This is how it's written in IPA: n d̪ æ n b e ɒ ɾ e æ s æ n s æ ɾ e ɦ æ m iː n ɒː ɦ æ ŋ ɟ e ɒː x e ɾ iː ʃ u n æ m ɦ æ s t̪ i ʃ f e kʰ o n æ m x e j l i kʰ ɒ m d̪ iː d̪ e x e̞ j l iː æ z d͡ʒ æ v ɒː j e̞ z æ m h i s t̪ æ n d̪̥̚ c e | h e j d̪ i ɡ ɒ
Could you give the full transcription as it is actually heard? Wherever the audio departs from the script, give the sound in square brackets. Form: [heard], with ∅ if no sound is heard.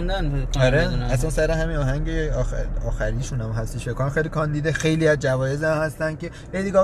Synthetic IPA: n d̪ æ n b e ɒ ɾ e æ s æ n s æ ɾ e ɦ æ m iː n ɒː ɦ æ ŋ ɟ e ɒː x [æ] ɾ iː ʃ u n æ m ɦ æ s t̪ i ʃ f e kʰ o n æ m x e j l i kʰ ɒ [n] d̪ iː d̪ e x e̞ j l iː æ z d͡ʒ æ v ɒː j e̞ z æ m h [æ] s t̪ æ n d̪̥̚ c e | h e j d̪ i ɡ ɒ